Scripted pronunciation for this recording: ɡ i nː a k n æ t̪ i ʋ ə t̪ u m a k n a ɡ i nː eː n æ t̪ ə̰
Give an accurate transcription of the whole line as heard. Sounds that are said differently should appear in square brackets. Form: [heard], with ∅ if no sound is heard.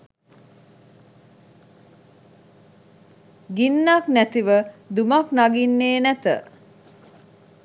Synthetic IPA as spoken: ɡ i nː a k n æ t̪ i ʋ ə [d̪] u m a k n a ɡ i nː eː n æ t̪ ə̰